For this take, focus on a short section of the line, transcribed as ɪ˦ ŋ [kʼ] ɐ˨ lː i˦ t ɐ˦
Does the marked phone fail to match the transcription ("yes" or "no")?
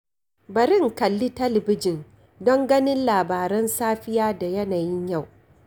yes